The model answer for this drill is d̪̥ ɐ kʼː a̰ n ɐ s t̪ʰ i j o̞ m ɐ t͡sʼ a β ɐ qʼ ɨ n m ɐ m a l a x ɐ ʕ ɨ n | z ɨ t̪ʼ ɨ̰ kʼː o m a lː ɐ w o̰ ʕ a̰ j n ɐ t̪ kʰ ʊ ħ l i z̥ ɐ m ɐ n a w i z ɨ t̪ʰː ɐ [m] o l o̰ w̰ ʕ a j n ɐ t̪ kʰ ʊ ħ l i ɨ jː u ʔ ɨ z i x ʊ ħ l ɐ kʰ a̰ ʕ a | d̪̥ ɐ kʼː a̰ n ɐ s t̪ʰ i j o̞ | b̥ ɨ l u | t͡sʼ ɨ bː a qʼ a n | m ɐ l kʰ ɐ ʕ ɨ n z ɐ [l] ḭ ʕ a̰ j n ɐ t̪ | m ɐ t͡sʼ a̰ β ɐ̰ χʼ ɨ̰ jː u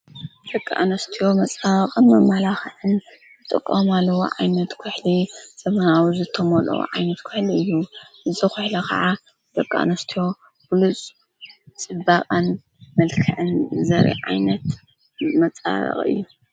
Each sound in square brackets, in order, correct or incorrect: correct, incorrect: ɾ

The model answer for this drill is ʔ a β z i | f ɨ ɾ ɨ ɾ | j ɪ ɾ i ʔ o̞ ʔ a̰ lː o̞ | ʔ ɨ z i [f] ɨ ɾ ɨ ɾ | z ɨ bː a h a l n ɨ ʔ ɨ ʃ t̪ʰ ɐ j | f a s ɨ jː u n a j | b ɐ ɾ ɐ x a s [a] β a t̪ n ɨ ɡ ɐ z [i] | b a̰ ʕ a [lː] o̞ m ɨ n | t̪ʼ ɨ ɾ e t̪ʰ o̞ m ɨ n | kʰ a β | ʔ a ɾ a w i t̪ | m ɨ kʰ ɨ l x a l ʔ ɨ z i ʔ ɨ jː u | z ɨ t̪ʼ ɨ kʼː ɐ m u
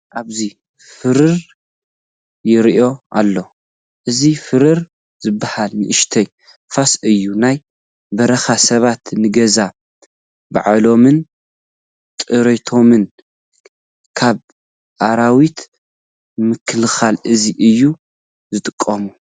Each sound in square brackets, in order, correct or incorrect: correct, incorrect: ɐ, incorrect: a, incorrect: l

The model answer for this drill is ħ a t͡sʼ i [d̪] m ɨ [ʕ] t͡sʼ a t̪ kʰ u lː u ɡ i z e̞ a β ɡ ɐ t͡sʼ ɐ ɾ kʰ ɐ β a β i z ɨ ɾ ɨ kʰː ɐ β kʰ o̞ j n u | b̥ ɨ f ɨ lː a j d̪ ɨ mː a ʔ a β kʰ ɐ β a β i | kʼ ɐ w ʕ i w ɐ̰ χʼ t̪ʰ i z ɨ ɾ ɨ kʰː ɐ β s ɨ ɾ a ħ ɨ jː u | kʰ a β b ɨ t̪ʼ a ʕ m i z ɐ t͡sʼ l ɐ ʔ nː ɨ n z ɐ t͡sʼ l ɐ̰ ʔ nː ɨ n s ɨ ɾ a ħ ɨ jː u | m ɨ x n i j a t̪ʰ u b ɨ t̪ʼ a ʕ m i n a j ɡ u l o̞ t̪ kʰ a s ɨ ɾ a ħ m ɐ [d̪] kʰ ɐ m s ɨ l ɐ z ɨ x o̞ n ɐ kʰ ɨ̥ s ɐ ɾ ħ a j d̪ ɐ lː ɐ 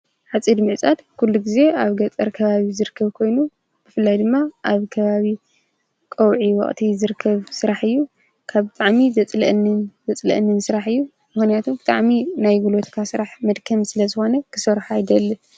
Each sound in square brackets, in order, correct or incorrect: correct, correct, correct

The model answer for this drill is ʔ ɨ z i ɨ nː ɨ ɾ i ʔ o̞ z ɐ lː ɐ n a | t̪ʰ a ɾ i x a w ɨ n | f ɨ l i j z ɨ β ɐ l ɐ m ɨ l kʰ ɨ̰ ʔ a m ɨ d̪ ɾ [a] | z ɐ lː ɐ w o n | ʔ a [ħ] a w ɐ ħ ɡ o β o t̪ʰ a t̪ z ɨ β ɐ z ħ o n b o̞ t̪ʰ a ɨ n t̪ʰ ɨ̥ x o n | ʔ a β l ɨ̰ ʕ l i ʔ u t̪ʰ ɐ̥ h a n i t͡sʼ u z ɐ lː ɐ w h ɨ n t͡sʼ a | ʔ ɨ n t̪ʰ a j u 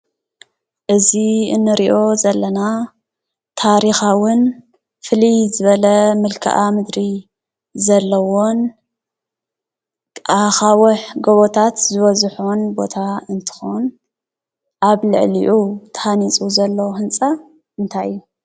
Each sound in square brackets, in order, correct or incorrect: incorrect: i, incorrect: x

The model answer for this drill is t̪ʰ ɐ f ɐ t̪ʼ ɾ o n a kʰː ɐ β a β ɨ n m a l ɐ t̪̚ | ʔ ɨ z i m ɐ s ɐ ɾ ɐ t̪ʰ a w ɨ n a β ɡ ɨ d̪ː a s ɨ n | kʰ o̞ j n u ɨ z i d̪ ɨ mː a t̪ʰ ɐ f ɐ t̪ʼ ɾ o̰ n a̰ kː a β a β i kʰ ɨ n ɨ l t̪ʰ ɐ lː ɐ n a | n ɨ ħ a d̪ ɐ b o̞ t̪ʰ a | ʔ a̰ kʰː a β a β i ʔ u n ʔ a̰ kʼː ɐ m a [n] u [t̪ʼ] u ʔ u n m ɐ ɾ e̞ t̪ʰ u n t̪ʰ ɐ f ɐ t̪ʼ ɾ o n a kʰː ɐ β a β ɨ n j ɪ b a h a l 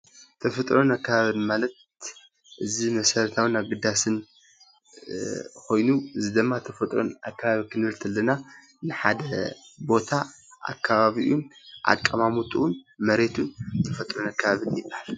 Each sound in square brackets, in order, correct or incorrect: incorrect: m, correct

